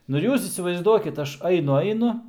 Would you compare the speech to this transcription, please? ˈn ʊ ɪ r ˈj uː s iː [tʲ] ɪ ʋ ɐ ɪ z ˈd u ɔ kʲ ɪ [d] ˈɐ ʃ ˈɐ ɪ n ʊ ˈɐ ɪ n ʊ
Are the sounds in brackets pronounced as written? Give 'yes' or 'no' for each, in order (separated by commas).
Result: no, no